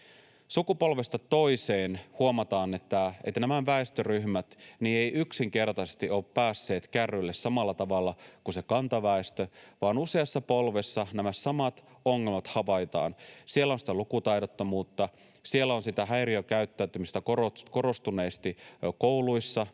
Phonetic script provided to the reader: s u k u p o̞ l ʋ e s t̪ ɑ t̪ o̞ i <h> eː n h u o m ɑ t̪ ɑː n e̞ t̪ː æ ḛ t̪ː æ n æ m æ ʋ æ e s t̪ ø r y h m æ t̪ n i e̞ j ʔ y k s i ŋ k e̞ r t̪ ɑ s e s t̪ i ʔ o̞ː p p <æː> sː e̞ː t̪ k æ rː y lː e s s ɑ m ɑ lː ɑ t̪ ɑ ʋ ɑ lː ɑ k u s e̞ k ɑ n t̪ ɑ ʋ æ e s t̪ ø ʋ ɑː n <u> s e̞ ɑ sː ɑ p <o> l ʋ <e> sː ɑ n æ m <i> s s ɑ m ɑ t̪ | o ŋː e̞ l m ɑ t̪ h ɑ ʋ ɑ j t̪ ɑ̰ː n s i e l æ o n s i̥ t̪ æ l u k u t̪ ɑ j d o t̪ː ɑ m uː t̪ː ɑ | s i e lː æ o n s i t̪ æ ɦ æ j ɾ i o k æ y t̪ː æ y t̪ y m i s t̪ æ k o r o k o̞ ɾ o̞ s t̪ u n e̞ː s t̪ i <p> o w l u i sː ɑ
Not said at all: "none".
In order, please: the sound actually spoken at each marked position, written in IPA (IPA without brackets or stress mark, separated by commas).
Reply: s, æː, u, o, e, æ, k